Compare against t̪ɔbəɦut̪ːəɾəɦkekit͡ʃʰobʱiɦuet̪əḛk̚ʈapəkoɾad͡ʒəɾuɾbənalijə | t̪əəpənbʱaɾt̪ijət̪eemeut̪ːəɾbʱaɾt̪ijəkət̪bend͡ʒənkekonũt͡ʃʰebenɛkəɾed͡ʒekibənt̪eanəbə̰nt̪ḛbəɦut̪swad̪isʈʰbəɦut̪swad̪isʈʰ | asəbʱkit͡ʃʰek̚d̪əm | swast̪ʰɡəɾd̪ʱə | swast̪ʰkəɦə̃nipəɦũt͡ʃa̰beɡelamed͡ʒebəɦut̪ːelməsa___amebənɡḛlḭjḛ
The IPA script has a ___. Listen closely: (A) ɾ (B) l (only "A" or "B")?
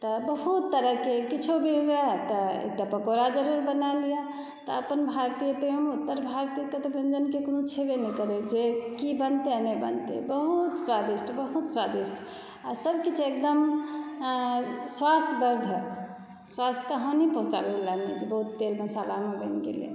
B